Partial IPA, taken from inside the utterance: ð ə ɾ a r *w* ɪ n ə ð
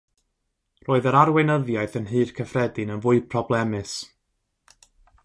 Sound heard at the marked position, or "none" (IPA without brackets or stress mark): w